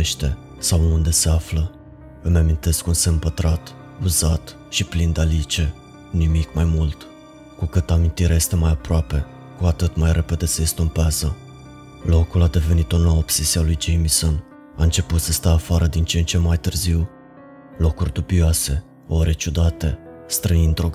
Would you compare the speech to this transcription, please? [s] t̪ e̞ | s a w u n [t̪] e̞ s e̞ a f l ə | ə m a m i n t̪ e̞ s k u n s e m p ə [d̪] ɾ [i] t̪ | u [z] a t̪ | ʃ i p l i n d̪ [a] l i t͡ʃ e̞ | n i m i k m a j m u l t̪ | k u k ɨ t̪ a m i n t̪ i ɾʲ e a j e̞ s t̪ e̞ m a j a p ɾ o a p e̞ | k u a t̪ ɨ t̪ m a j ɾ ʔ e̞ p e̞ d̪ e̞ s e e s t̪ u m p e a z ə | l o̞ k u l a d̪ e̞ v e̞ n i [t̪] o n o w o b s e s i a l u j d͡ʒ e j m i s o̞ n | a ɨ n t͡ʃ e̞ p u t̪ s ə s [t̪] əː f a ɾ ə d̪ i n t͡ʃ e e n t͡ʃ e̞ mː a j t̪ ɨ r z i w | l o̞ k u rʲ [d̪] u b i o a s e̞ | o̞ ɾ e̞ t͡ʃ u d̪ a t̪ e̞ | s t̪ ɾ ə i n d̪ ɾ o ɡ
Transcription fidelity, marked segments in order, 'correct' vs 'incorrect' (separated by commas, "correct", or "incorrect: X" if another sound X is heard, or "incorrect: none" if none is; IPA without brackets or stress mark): incorrect: ʃ, incorrect: d̪, incorrect: t̪, incorrect: a, correct, correct, correct, correct, correct